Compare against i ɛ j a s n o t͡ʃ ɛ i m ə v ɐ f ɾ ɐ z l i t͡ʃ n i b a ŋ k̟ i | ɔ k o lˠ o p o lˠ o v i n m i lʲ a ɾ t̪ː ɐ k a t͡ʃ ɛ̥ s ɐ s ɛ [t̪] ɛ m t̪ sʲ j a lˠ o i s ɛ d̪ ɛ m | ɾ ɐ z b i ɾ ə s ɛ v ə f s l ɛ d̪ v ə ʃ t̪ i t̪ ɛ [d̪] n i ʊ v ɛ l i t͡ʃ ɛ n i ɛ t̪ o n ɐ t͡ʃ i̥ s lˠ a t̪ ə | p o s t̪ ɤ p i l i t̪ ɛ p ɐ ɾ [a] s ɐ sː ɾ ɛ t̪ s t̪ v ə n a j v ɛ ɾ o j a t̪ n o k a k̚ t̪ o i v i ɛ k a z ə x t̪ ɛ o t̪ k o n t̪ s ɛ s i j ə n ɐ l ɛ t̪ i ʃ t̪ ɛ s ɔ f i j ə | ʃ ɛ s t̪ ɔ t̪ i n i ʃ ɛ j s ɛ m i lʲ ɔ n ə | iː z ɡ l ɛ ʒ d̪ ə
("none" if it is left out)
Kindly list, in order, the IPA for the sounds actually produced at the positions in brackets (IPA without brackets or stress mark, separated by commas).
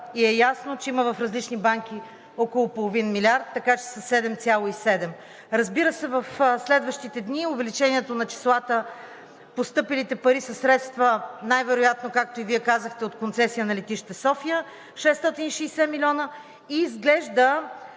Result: d̪, d̪, i